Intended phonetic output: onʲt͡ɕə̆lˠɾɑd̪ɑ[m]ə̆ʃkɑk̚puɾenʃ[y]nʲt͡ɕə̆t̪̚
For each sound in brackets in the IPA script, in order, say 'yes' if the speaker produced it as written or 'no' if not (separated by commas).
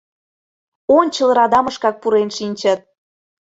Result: yes, no